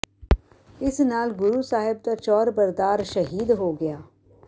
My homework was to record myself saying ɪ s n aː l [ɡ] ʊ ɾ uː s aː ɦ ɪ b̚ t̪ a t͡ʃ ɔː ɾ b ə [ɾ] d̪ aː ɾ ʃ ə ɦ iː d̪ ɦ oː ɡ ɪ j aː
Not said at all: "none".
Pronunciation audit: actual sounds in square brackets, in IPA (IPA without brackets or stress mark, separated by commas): ɡ, ɾ